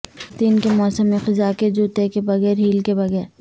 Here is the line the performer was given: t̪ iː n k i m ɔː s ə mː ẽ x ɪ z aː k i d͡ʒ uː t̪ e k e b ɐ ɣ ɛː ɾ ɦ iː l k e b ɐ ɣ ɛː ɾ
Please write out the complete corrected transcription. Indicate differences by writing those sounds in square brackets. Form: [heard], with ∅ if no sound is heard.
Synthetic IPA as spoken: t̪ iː n k [e] m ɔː s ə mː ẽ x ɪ z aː k [e] d͡ʒ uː t̪ e k e b ɐ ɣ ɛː ɾ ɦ iː l k e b ɐ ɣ ɛː ɾ

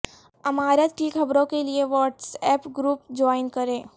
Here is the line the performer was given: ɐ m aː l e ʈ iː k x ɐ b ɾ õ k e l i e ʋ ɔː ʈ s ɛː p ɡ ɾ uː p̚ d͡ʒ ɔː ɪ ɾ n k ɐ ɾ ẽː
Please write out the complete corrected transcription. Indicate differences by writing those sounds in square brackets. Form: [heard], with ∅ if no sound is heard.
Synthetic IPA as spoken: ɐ m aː [ɾ] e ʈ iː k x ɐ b ɾ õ k e l i e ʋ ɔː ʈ s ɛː p ɡ ɾ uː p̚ d͡ʒ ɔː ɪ [∅] n k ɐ ɾ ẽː

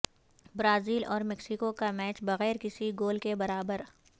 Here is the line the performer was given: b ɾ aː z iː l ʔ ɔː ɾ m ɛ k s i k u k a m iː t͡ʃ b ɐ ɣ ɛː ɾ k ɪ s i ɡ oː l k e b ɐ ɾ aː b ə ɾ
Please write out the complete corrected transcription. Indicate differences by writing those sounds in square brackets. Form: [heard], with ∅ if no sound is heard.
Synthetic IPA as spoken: b ɾ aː z iː l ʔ ɔː ɾ m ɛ k s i k [o] k a m [ɛː] t͡ʃ b ɐ ɣ ɛː ɾ k ɪ s i ɡ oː l k e b ɐ ɾ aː b ə ɾ

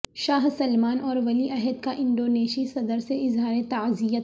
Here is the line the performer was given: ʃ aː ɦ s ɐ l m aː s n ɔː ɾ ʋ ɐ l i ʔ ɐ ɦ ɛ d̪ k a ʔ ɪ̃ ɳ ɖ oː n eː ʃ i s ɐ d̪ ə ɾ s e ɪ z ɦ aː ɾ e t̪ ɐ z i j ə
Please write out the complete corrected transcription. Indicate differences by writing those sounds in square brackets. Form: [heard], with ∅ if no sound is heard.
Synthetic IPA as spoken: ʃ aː ɦ s ɐ l m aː [∅] n ɔː ɾ ʋ ɐ l i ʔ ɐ ɦ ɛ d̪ k a ʔ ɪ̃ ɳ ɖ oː n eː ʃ i s ɐ d̪ ə ɾ s e ɪ z ɦ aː ɾ e t̪ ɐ z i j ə

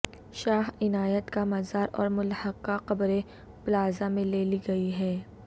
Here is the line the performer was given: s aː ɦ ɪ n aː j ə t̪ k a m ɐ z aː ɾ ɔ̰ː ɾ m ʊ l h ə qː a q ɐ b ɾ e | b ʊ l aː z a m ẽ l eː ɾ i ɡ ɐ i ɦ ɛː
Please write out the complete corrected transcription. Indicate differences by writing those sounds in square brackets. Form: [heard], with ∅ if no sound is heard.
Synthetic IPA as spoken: [ʃ] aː ɦ ɪ n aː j ə t̪ k a m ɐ z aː ɾ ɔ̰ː ɾ m ʊ l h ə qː a q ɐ b ɾ e | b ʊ l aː z a m ẽ l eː [l] i ɡ ɐ i ɦ ɛː

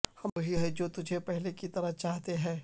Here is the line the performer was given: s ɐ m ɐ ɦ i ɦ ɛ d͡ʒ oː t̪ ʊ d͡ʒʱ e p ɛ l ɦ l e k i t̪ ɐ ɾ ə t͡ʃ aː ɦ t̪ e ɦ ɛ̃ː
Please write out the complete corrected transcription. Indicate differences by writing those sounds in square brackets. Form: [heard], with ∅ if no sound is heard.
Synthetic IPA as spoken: [h] ɐ m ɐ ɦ i ɦ ɛ d͡ʒ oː t̪ ʊ d͡ʒʱ e p ɛ [∅] ɦ l e k i t̪ ɐ ɾ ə t͡ʃ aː ɦ t̪ e ɦ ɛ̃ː

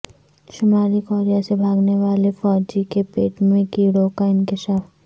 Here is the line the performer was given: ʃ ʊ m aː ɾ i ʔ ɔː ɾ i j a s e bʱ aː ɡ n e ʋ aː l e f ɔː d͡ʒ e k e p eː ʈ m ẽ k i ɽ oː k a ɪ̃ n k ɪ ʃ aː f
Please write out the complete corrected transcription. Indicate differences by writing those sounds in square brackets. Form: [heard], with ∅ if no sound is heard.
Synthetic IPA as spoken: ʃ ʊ m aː ɾ i [k] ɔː ɾ i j a s e bʱ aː ɡ n e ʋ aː l e f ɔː d͡ʒ [i] k e p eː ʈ m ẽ k i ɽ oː k a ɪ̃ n k ɪ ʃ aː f

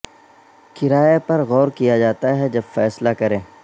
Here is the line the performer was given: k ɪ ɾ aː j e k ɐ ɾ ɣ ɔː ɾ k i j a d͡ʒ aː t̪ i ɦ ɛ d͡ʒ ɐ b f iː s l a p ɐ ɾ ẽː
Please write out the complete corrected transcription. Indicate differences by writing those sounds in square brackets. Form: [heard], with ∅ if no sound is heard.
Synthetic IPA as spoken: k ɪ ɾ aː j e [p] ɐ ɾ ɣ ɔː ɾ k i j a d͡ʒ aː t̪ [a] ɦ ɛ d͡ʒ ɐ b f [ɛː] s l a [k] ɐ ɾ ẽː

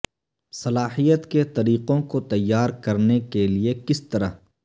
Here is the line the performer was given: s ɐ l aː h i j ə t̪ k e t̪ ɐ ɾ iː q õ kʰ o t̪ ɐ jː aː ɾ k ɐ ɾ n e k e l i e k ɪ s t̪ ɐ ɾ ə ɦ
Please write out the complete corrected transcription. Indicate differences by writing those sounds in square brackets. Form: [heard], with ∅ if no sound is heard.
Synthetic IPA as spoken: s ɐ l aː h i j ə t̪ k e t̪ ɐ ɾ iː q õ [k] o t̪ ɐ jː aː ɾ k ɐ ɾ n e k e l i e k ɪ s t̪ ɐ ɾ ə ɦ

